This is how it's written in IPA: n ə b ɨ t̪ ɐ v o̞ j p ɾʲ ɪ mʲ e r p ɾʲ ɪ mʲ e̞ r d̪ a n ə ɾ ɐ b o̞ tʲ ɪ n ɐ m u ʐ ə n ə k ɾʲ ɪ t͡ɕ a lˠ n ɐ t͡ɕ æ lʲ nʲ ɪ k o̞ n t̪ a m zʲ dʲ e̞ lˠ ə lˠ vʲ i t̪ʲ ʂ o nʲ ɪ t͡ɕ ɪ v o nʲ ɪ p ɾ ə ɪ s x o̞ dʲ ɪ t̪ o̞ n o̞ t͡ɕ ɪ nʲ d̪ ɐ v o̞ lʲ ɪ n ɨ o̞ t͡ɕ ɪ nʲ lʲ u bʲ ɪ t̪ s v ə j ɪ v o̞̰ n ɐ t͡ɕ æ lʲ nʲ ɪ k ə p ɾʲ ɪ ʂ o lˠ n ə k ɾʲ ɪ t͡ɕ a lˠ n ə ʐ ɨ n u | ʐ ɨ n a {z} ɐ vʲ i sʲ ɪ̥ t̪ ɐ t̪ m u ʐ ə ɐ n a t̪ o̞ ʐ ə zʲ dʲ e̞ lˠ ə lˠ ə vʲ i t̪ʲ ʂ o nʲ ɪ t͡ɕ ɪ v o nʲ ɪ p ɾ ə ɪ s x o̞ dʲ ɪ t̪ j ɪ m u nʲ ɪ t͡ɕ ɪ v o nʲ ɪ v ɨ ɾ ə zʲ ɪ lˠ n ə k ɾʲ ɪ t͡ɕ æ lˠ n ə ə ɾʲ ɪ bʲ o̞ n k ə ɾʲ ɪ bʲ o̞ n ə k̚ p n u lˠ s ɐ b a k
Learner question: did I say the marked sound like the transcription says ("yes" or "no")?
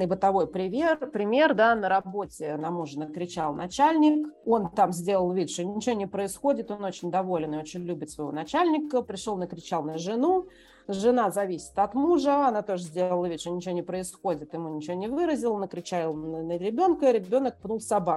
yes